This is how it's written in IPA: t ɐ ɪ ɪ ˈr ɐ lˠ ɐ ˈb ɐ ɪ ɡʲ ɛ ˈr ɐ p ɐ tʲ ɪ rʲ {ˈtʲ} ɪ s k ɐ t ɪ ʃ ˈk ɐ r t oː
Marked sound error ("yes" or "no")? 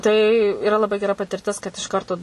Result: no